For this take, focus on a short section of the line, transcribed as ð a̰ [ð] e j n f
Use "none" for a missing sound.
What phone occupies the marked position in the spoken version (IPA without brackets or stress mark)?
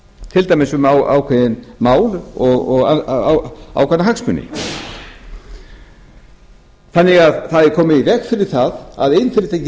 ð